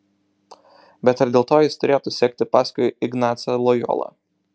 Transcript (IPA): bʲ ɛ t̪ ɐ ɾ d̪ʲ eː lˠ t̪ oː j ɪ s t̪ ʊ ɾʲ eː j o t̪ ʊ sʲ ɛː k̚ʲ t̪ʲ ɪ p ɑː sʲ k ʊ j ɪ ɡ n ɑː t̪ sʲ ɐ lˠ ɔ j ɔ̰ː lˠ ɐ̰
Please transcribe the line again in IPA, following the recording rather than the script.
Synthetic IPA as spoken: bʲ ɛ t̪ ɐ ɾ d̪ʲ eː lˠ t̪ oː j ɪ s t̪ ʊ ɾʲ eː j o t̪ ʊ sʲ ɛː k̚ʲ t̪ʲ ɪ p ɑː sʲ k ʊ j ɪ ɡ n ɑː t̪ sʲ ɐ lˠ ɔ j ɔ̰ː lˠ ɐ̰